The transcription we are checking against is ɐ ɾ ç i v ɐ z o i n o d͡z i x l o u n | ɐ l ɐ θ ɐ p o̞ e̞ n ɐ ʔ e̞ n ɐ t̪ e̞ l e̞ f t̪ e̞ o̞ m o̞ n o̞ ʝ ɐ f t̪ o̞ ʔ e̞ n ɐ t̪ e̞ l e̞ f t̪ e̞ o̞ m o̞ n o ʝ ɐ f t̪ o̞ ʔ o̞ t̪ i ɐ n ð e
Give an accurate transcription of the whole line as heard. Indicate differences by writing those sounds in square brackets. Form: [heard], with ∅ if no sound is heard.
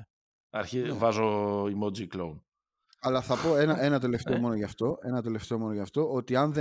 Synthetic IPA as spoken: ɐ ɾ ç i v ɐ z o i [m] o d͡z i [k] l o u n | ɐ l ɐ θ ɐ p o̞ e̞ n ɐ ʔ e̞ n ɐ t̪ e̞ l e̞ f t̪ e̞ o̞ m o̞ n o̞ ʝ ɐ f t̪ o̞ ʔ e̞ n ɐ t̪ e̞ l e̞ f t̪ e̞ o̞ m o̞ n o ʝ ɐ f t̪ o̞ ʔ o̞ t̪ i ɐ n ð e